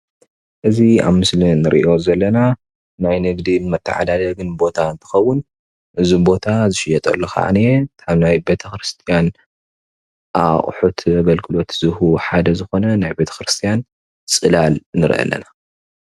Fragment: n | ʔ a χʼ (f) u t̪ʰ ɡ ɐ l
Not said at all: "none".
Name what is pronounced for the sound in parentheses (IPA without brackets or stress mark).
ħ